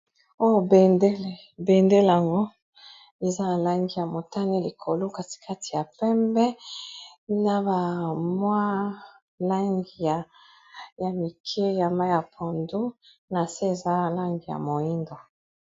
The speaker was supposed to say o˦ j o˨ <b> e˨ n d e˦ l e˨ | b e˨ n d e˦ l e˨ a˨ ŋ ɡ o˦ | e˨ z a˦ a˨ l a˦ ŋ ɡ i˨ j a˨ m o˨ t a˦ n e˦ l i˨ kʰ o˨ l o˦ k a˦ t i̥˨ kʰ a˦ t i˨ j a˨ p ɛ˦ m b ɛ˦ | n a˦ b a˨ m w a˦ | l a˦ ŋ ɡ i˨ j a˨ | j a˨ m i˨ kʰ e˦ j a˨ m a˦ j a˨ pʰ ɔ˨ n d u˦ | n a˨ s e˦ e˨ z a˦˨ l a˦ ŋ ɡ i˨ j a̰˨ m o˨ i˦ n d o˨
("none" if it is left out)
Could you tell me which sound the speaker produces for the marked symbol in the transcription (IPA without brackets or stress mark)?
b